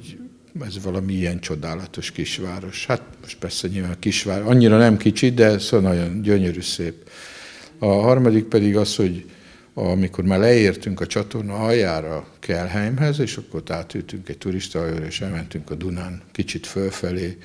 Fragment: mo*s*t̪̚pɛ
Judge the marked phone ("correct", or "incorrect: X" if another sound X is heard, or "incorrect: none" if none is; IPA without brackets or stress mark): incorrect: ʃ